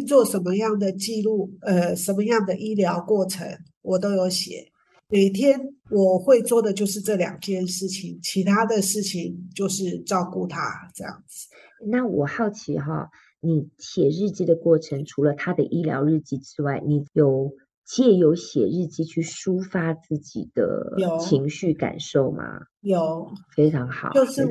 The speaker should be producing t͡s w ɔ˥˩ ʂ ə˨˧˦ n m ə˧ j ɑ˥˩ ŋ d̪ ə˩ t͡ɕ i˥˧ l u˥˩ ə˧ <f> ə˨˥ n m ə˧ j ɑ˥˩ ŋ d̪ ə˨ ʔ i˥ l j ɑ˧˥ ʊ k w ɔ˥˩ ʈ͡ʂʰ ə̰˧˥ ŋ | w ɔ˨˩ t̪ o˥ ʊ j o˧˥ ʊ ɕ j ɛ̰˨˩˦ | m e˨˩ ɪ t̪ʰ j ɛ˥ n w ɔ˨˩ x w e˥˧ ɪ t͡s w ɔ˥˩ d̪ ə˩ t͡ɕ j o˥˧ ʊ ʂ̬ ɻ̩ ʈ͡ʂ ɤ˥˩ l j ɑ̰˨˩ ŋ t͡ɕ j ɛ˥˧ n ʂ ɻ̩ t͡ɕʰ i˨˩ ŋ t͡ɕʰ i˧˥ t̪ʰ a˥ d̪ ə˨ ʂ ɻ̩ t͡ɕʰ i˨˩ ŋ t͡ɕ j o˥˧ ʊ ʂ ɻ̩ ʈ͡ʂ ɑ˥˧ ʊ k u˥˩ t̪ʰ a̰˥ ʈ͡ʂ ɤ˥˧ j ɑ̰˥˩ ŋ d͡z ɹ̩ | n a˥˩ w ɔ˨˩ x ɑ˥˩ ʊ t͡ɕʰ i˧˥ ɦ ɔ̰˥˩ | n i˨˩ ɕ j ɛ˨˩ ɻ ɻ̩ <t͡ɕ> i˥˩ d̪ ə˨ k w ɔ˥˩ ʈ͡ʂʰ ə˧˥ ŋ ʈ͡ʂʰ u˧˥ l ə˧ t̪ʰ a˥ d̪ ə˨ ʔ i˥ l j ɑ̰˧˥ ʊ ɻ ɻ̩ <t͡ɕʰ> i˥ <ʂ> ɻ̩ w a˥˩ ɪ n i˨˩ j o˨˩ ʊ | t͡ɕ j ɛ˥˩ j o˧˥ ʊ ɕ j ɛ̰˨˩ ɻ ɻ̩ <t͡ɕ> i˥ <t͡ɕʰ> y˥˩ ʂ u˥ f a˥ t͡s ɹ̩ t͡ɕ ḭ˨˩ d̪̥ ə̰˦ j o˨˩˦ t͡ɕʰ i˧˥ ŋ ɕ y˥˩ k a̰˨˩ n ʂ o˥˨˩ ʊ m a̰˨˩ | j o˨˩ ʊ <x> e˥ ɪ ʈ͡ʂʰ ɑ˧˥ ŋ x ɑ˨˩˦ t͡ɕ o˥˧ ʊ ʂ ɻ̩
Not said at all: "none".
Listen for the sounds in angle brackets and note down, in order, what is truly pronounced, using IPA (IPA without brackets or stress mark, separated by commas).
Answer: ʂ, t͡ɕ, t͡ɕ, ʈ͡ʂ, t͡ɕ, t͡ɕʰ, f